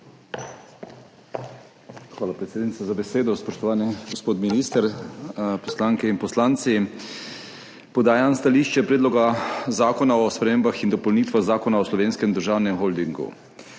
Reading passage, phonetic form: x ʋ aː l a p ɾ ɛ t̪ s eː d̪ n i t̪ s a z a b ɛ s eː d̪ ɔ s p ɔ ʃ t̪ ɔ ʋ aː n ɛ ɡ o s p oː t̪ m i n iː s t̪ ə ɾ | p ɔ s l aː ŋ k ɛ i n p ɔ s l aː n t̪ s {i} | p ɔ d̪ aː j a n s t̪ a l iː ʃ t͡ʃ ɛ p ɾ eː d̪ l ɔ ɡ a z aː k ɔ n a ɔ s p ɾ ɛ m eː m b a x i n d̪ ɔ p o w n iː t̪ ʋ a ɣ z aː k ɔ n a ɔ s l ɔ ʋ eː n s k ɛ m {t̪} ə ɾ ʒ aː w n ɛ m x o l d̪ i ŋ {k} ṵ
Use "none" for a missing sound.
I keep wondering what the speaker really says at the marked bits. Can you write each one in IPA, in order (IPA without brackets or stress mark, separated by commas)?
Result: i, d̪, ɡ